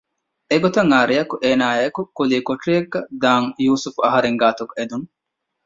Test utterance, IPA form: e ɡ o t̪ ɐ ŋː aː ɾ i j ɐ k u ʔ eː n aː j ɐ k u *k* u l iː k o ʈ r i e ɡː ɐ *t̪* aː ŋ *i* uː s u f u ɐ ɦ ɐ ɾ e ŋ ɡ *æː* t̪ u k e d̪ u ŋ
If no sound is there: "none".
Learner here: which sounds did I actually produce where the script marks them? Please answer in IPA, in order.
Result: k, d̪, j, aː

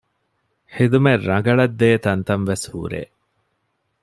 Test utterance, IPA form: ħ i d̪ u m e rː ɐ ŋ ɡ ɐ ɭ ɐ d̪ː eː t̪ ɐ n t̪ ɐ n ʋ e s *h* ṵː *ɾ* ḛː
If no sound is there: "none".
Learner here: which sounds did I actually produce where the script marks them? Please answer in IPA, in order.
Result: h, ɾ

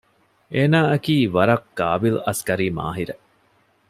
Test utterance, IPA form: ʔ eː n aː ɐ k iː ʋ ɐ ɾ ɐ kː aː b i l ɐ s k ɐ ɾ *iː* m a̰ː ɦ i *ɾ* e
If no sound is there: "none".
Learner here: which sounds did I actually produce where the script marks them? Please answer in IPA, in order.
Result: iː, ɾ

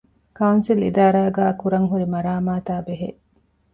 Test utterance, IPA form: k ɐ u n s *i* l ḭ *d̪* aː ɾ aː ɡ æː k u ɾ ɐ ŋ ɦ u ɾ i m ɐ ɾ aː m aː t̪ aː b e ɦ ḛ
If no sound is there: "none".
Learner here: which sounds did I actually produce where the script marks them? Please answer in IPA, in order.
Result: i, d̪

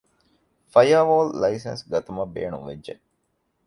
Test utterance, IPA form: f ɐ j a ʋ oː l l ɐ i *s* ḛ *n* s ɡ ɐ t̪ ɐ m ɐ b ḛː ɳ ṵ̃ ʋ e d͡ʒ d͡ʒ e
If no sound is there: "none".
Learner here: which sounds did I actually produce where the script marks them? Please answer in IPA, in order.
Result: s, n

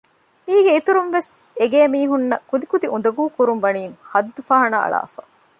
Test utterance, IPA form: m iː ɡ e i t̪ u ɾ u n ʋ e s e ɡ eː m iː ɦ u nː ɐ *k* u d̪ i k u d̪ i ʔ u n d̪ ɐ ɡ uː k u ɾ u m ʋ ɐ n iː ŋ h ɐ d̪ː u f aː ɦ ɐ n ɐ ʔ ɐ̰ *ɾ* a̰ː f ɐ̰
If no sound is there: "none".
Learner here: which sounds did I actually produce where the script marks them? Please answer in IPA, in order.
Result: k, ɭ

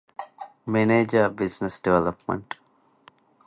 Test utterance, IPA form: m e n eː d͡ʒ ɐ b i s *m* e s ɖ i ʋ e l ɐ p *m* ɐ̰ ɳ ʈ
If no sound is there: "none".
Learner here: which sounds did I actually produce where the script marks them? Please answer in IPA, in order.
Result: n, m

